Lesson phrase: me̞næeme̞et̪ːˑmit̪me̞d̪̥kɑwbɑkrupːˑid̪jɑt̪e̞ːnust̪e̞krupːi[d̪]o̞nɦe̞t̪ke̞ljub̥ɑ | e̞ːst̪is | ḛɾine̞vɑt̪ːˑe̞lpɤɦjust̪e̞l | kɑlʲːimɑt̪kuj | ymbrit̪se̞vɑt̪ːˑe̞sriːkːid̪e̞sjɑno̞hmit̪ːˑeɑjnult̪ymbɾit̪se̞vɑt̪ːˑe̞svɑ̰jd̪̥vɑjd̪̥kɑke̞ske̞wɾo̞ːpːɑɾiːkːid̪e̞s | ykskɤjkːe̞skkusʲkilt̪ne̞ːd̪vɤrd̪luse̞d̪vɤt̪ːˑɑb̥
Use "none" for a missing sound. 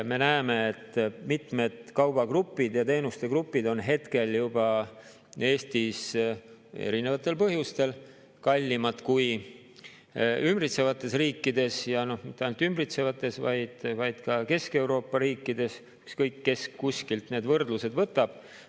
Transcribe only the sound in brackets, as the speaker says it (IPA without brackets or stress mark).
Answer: d̪